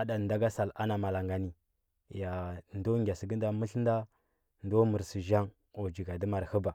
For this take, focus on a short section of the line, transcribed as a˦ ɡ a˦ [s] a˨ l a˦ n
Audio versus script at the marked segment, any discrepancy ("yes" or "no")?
no